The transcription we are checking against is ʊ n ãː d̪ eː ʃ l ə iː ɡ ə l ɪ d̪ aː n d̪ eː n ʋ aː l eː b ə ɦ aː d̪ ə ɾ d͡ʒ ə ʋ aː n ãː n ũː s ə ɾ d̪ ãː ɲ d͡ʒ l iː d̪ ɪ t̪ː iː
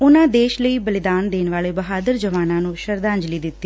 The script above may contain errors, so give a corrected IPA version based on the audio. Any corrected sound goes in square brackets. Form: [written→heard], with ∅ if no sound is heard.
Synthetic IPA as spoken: ʊ n ãː d̪ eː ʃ l ə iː [ɡ→b] ə l ɪ d̪ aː n d̪ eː n ʋ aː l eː b ə ɦ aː d̪ ə ɾ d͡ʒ ə ʋ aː n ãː n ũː [s→ʃ] ə ɾ d̪ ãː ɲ d͡ʒ l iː d̪ ɪ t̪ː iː

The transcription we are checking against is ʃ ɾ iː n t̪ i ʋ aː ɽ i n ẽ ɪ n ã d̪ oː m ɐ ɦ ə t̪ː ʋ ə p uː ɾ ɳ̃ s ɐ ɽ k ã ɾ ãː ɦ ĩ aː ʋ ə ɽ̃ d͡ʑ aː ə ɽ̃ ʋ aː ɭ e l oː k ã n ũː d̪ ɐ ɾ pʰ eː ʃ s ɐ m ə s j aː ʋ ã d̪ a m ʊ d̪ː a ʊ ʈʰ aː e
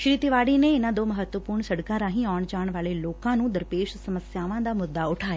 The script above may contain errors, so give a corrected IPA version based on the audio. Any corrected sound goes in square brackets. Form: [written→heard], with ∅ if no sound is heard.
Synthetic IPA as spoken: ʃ ɾ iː [n→∅] t̪ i ʋ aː ɽ i n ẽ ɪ n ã d̪ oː m ɐ ɦ ə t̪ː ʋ ə p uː ɾ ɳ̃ s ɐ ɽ k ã ɾ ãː ɦ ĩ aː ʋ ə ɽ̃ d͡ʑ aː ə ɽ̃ ʋ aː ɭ e l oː k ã n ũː d̪ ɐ ɾ [pʰ→p] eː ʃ s ɐ m ə s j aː ʋ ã d̪ a m ʊ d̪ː a ʊ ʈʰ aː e

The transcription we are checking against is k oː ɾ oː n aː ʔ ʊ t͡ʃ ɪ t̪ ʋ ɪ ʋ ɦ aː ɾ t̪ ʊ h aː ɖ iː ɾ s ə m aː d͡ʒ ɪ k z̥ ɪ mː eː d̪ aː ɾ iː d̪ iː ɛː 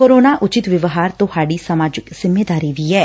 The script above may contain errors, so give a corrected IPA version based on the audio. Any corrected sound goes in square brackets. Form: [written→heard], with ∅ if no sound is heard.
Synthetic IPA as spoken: k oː ɾ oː n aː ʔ ʊ t͡ʃ ɪ t̪ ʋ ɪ ʋ ɦ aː ɾ t̪ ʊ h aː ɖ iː [ɾ→∅] s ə m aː d͡ʒ ɪ k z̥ ɪ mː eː d̪ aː ɾ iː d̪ iː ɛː

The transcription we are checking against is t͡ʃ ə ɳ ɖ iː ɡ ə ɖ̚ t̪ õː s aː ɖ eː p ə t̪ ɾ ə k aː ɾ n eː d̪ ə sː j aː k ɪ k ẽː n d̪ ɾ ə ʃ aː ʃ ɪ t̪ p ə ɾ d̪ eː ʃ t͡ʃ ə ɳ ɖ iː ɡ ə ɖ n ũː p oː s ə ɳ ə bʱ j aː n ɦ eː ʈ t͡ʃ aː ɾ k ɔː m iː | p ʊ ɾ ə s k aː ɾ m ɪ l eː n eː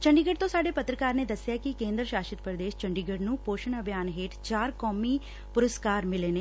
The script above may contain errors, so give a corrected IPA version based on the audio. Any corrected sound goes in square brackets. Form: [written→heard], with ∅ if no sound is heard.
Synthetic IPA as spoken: t͡ʃ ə ɳ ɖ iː ɡ ə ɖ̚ t̪ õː s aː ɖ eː p ə t̪ ɾ ə k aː ɾ n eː d̪ ə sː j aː k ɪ k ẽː n d̪ ɾ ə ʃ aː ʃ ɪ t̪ p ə ɾ d̪ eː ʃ t͡ʃ ə ɳ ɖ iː ɡ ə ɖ n ũː p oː [s→ʃ] ə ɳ ə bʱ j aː n ɦ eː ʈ t͡ʃ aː ɾ k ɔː m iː | p ʊ ɾ ə s k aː ɾ m ɪ l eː n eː

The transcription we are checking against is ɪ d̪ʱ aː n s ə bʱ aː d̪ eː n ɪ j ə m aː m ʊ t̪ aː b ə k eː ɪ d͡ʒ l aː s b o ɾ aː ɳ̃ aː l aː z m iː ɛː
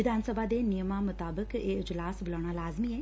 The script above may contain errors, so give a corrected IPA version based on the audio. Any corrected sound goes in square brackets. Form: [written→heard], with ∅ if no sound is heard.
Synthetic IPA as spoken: ɪ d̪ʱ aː n s ə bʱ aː d̪ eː n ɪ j ə m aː m ʊ t̪ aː b ə k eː ɪ d͡ʒ l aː s b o [ɾ→l] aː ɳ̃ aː l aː z m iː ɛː

